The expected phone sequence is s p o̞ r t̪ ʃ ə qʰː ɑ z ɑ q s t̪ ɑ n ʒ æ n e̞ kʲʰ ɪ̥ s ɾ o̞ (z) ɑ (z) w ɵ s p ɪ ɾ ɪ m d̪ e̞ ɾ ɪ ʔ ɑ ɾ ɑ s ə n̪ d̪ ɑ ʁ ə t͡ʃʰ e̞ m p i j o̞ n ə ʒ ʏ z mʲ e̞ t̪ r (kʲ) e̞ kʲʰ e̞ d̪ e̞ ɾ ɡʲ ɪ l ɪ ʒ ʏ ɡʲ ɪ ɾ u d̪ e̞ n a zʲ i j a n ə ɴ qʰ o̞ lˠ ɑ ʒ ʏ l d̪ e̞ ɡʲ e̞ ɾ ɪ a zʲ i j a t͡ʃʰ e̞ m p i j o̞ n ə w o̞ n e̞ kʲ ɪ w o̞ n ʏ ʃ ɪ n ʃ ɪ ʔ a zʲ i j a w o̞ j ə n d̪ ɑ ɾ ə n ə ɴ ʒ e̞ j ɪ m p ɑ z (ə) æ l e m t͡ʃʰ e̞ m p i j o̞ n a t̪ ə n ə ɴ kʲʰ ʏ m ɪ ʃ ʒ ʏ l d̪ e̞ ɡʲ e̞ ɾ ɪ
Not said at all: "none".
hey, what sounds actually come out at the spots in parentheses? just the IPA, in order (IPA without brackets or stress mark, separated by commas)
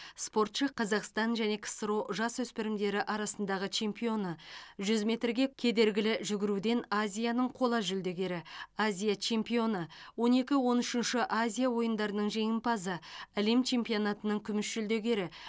ʒ, s, ɡʲ, ə